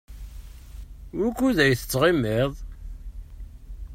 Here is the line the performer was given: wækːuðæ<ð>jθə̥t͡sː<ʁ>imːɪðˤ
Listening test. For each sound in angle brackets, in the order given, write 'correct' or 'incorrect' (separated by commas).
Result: incorrect, correct